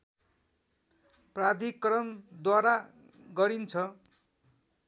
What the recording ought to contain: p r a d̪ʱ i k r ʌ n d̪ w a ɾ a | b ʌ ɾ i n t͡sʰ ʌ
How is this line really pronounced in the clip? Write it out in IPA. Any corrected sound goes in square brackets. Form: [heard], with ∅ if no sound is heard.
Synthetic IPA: p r a d̪ʱ i k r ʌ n d̪ w a ɾ a | [ɡ] ʌ ɾ i n t͡sʰ ʌ